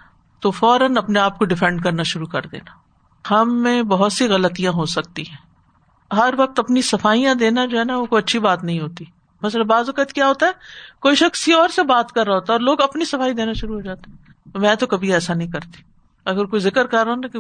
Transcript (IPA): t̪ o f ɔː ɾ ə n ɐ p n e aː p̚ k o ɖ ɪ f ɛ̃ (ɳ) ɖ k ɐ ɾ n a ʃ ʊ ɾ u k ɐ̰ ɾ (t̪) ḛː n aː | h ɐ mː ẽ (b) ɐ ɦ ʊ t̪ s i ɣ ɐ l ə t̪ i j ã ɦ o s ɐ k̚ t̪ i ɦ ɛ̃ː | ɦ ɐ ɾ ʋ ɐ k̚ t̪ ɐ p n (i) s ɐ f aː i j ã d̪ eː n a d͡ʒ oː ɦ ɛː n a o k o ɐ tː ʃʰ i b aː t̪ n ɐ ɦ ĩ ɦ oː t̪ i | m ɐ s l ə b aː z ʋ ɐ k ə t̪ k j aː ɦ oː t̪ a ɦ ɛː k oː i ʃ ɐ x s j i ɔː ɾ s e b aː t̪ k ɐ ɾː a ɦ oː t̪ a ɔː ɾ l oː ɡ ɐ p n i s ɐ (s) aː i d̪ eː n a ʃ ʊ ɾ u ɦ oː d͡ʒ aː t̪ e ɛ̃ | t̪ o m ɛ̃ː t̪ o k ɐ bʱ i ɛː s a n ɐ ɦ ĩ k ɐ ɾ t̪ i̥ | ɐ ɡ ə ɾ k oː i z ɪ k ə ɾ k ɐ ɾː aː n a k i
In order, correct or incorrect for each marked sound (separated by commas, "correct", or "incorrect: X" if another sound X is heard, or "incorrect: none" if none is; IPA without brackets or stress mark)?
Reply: correct, incorrect: d̪, correct, correct, incorrect: f